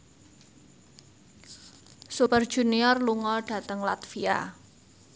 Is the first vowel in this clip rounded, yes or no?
yes